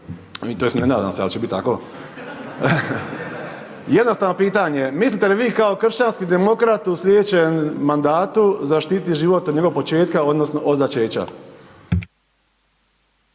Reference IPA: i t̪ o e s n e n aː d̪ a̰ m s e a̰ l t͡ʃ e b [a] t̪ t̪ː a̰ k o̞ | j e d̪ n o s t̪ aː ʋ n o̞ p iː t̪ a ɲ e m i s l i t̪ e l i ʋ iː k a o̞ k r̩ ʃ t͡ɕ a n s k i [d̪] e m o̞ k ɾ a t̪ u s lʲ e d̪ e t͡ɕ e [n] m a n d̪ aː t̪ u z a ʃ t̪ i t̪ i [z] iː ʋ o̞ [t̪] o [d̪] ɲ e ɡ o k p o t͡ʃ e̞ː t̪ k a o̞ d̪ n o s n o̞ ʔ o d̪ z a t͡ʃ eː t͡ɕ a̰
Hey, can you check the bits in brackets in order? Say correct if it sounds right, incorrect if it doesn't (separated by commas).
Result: incorrect, correct, correct, incorrect, correct, correct